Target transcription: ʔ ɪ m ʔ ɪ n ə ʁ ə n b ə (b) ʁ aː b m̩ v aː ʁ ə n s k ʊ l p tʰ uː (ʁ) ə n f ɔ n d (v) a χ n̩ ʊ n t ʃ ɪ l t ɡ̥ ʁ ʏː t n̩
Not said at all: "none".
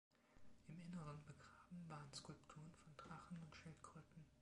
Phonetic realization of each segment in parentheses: ɡ, ʁ, ʁ

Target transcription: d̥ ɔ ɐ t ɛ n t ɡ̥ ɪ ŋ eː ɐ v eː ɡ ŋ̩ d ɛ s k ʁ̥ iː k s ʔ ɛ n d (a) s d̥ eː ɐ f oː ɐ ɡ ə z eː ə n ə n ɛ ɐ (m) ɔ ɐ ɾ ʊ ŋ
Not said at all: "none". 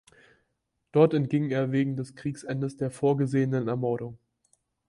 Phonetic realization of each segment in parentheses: ə, m

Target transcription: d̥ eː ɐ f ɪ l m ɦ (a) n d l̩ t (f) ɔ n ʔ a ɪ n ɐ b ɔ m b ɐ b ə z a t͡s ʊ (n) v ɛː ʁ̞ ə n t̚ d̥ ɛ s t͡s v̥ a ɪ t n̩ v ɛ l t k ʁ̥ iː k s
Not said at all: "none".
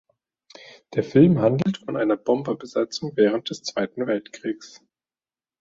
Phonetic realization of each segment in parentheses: a, f, ŋ

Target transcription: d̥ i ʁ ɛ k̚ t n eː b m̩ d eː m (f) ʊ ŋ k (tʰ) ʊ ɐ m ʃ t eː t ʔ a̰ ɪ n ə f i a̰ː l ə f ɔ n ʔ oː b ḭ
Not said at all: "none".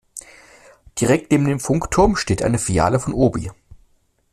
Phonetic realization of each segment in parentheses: f, tʰ

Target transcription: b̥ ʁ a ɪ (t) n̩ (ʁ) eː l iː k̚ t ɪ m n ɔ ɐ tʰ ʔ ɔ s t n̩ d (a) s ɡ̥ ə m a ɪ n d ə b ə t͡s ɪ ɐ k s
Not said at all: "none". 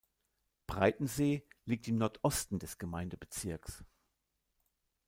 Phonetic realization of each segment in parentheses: t, z, ɛ

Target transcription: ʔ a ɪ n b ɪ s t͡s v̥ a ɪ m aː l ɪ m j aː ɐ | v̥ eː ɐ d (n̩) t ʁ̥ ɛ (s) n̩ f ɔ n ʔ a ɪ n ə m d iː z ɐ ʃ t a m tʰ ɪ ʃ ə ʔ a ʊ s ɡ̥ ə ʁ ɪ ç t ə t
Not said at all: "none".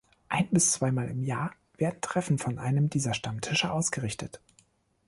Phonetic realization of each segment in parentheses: n̩, f

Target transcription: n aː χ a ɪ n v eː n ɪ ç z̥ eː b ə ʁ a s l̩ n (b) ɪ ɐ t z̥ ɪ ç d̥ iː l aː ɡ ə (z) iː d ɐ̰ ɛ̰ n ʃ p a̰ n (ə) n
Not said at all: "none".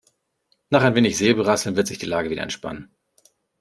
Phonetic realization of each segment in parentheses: v, v, ə

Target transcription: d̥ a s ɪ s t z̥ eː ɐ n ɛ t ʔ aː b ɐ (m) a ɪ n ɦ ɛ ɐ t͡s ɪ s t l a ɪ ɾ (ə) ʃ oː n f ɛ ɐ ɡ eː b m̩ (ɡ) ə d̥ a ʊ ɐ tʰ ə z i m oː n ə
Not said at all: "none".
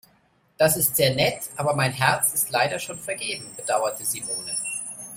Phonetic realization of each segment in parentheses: m, ɐ, b

